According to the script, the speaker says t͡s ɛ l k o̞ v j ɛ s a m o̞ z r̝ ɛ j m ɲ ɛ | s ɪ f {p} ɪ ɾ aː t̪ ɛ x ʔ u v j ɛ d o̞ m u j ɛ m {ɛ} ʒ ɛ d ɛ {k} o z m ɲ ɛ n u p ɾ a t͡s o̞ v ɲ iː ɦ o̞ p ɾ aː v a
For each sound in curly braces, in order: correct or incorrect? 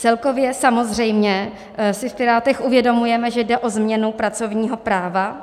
correct, correct, incorrect

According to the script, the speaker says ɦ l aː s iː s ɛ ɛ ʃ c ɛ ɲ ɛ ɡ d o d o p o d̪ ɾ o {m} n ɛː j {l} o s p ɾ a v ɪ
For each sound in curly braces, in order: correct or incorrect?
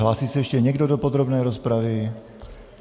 incorrect, incorrect

